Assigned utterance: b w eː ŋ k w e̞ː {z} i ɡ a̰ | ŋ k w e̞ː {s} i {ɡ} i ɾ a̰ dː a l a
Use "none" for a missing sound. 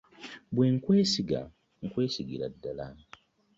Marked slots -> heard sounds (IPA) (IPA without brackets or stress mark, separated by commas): s, s, ɡ